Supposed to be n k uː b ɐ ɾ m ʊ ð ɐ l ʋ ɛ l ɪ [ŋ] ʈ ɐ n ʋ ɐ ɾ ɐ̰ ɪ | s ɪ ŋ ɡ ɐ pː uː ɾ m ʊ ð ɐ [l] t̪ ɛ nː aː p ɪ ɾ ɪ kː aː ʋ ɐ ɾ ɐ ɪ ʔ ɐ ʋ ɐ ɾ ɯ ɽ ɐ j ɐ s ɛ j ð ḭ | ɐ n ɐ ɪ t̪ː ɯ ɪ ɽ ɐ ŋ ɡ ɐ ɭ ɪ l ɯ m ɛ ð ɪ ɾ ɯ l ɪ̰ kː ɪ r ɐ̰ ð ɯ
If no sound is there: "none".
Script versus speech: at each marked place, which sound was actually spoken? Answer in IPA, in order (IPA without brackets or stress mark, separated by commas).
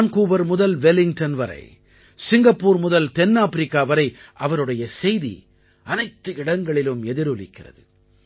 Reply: ŋ, l